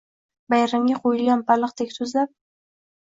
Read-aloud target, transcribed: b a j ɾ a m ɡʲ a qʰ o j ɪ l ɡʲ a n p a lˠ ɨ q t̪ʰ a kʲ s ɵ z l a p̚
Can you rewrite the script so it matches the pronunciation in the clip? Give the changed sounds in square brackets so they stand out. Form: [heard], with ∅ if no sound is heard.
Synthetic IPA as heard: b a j ɾ a m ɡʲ a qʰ o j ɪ l ɡʲ a n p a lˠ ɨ q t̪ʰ [e] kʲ s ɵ z l a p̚

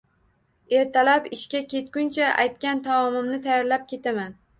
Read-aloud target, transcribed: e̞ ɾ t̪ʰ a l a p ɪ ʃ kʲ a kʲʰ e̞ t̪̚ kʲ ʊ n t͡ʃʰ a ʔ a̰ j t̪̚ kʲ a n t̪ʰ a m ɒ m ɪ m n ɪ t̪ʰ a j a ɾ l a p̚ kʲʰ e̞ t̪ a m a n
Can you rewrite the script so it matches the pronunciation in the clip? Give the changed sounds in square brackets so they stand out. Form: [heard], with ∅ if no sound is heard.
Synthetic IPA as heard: e̞ ɾ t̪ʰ a l a p ɪ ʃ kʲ a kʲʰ e̞ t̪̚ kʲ ʊ n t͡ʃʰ a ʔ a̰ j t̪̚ kʲ a n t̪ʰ a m ɒ m ɪ m n ɪ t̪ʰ a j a ɾ l a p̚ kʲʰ e̞ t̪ a m a n

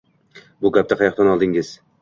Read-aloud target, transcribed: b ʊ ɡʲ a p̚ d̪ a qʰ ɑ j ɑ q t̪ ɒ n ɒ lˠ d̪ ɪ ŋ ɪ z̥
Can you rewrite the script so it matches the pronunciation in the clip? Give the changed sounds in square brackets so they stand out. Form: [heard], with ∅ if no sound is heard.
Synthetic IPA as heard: b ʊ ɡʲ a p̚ [t̪] a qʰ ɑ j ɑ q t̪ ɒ n ɒ lˠ d̪ ɪ ŋ ɪ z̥

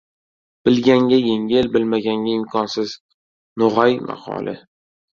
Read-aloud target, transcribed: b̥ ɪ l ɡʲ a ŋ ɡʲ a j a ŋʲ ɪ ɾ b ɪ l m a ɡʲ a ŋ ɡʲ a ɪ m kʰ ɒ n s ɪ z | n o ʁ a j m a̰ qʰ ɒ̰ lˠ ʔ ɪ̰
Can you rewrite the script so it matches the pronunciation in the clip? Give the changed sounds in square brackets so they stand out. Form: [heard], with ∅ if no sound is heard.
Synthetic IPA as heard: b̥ ɪ l ɡʲ a ŋ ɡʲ a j [e] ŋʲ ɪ [l] b ɪ l m a ɡʲ a ŋ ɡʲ a ɪ m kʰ ɒ n s ɪ z | n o ʁ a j m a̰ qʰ ɒ̰ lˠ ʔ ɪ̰

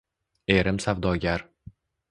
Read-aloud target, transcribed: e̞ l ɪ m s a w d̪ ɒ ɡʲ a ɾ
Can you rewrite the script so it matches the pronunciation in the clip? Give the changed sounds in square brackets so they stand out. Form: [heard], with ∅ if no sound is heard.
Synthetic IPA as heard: e̞ [ɾ] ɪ m s a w d̪ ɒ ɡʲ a ɾ

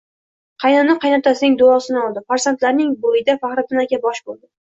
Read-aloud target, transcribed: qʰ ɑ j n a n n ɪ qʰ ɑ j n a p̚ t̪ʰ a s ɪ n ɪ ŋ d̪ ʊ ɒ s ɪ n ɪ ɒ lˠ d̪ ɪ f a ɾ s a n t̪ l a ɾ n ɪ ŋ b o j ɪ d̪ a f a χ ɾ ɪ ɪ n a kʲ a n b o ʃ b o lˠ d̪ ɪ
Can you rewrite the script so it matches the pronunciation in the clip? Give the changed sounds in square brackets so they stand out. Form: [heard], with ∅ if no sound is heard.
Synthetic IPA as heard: qʰ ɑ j n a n n ɪ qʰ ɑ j n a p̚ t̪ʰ a s ɪ n ɪ ŋ d̪ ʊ ɒ s ɪ n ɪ ɒ lˠ d̪ ɪ f a ɾ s a n t̪ l a ɾ n ɪ ŋ b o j ɪ d̪ a f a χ ɾ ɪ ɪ n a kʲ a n b [ɒ] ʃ b o lˠ d̪ ɪ

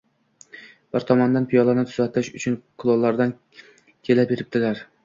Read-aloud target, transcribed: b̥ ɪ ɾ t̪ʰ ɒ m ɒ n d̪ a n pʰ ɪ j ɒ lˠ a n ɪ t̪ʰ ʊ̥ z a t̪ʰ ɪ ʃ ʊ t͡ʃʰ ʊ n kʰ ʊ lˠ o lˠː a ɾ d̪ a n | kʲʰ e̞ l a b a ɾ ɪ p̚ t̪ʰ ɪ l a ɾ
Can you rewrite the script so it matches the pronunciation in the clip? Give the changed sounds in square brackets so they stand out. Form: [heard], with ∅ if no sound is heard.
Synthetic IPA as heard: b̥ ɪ ɾ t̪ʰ ɒ m ɒ n d̪ a n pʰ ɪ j ɒ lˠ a n ɪ t̪ʰ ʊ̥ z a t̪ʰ ɪ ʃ ʊ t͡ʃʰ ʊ n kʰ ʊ lˠ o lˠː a ɾ d̪ a n | kʲʰ e̞ l a b [e] ɾ ɪ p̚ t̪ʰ ɪ l a ɾ

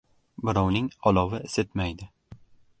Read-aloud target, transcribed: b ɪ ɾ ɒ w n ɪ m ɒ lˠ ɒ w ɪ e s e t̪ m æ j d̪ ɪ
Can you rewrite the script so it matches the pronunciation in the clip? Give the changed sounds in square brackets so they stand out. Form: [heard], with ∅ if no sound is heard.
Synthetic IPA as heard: b ɪ ɾ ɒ w n ɪ [ŋ] ɒ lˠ ɒ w ɪ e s e t̪ m [a] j d̪ ɪ

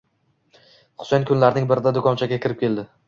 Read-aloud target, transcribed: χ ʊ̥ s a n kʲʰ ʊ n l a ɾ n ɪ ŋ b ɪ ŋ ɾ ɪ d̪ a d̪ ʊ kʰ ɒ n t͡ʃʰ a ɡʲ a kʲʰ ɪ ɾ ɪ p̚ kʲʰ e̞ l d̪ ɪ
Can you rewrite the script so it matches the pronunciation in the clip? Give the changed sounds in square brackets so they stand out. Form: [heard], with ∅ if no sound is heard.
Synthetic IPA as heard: χ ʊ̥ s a n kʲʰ ʊ n l a ɾ n ɪ ŋ b ɪ [∅] ɾ ɪ d̪ a d̪ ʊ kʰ ɒ n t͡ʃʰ a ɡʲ a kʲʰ ɪ ɾ ɪ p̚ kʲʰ e̞ l d̪ ɪ

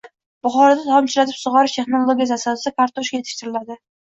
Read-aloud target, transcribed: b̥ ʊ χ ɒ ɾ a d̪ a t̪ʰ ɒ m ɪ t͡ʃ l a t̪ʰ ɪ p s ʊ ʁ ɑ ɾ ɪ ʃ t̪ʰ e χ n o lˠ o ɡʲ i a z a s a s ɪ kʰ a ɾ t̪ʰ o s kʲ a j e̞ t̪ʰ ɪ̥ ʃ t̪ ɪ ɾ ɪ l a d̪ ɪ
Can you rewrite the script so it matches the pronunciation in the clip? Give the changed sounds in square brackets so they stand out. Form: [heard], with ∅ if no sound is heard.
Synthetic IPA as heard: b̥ ʊ χ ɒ ɾ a d̪ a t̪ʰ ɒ m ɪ t͡ʃ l a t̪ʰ ɪ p s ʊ ʁ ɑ ɾ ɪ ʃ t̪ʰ e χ n o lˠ o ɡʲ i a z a s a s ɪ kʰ a ɾ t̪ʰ o [ʃ] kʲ a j e̞ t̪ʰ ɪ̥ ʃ t̪ ɪ ɾ ɪ l a d̪ ɪ

